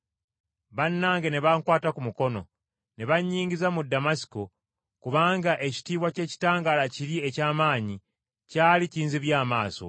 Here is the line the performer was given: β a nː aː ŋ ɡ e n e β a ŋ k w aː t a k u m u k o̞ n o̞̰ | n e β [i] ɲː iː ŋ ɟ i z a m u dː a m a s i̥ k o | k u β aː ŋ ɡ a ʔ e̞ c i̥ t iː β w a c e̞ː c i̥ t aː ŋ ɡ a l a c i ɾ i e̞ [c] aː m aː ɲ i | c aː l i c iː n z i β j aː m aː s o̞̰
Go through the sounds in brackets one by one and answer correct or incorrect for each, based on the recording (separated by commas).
incorrect, correct